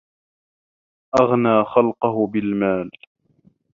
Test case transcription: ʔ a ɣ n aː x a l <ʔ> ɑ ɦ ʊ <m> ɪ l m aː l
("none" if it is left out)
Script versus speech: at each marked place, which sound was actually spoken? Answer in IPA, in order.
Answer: q, b

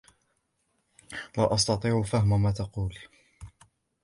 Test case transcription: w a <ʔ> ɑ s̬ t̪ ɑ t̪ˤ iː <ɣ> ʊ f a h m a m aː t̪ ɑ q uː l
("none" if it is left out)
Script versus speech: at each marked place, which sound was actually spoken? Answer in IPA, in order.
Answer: ʔ, ʕ

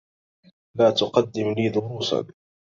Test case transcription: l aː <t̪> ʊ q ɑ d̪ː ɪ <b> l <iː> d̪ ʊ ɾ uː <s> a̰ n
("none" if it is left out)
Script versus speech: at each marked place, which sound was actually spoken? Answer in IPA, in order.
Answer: t̪, m, iː, s

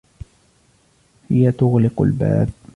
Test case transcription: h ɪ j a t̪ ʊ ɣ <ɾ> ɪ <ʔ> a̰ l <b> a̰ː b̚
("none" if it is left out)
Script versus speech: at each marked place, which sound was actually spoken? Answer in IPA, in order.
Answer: l, q, b

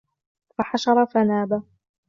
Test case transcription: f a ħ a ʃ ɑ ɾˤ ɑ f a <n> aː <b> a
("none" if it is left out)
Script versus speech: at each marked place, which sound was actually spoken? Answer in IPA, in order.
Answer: n, b

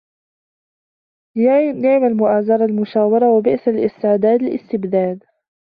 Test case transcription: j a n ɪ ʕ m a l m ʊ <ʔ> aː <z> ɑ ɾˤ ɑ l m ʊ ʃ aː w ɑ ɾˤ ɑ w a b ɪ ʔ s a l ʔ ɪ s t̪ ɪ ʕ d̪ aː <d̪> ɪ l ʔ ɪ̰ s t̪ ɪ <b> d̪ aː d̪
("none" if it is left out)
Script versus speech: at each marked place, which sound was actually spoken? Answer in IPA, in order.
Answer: ʔ, z, d̪, b

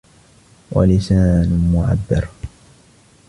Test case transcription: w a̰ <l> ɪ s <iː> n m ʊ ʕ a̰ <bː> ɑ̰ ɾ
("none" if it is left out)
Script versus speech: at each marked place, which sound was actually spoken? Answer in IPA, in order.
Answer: l, aː, bː

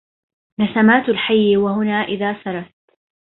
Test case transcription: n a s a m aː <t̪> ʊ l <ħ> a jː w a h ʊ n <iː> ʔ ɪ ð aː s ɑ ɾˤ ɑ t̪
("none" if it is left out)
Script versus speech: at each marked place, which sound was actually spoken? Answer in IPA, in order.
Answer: t̪, ħ, aː

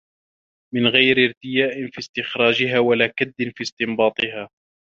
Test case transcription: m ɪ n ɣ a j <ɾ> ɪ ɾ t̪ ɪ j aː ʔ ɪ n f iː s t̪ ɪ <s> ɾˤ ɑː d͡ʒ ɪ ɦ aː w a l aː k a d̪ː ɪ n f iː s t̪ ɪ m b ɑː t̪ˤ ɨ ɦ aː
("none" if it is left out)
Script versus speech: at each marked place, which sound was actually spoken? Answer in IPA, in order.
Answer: ɾ, x

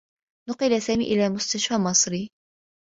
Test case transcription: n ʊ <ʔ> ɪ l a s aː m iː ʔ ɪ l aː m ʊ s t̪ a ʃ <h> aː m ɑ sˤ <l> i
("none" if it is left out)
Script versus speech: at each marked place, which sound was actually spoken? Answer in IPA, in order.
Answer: q, f, ɾ

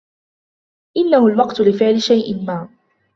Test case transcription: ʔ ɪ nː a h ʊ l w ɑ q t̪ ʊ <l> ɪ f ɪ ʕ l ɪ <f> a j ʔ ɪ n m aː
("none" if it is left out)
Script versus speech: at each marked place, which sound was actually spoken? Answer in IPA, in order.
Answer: l, ʃ

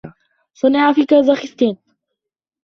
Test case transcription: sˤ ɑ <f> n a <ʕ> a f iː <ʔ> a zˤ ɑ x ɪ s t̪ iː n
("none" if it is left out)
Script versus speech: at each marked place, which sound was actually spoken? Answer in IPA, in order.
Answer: none, ʕ, k

